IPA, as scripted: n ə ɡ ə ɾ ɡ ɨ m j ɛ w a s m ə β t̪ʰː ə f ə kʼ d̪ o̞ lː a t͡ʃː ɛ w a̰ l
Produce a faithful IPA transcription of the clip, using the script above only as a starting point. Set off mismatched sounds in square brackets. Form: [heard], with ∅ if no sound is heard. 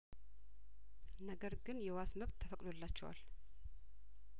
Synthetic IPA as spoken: n ə ɡ ə ɾ ɡ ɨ [n] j ɛ w a s m ə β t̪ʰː ə f ə kʼ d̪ o̞ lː a t͡ʃː ɛ w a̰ l

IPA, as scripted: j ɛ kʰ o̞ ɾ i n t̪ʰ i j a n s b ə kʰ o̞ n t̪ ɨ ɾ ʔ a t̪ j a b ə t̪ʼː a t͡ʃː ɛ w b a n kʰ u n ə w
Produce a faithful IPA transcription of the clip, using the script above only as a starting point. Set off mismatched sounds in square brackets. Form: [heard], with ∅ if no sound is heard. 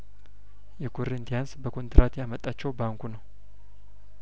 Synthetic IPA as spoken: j ɛ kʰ o̞ ɾ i n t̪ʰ i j a n s b ə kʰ o̞ n t̪ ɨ ɾ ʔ a t̪ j a [m] ə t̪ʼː a t͡ʃː ɛ w b a [ŋ] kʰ u n ə w

